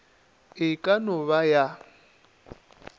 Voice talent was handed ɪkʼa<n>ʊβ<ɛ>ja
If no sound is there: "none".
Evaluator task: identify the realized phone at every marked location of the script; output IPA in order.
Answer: n, a

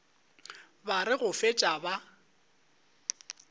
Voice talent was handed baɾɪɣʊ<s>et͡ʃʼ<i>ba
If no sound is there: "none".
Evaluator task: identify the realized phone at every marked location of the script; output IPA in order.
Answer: f, a

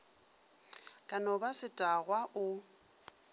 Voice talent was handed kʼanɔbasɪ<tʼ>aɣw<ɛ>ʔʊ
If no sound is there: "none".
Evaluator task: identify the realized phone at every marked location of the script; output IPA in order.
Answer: tʼ, a

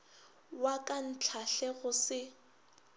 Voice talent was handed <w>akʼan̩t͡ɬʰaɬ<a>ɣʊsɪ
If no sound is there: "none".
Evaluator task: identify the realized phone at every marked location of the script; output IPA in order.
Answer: w, ɛ

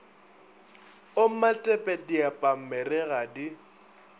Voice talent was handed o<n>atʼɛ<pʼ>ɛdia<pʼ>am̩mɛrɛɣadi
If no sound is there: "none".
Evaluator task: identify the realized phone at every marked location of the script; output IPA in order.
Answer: m, pʼ, pʼ

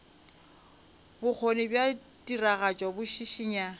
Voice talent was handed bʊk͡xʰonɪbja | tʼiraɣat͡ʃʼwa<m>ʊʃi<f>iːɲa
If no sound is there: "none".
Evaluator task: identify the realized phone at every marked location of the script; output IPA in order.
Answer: b, ʃ

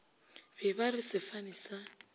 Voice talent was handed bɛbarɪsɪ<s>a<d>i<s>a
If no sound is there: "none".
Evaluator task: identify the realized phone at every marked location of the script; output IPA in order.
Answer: f, n, s

